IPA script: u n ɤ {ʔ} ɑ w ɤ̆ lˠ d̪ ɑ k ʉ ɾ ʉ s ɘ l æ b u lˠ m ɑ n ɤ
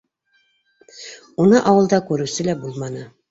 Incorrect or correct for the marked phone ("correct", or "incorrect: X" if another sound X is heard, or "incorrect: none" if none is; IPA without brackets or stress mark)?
correct